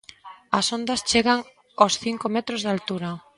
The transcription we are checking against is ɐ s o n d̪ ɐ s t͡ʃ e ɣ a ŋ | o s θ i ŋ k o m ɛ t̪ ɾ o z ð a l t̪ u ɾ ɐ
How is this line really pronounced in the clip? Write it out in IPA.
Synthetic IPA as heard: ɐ s o n d̪ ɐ s t͡ʃ e ɣ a ŋ | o s θ i ŋ k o m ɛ t̪ ɾ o z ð a l t̪ u ɾ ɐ